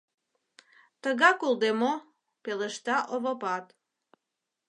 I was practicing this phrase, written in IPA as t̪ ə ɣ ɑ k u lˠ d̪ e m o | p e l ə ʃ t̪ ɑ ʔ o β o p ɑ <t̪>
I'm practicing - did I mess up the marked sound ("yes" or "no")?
no